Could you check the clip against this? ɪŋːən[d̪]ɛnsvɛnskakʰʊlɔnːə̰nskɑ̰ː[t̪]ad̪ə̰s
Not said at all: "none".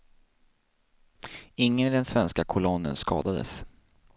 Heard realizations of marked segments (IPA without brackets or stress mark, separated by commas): d̪, d̪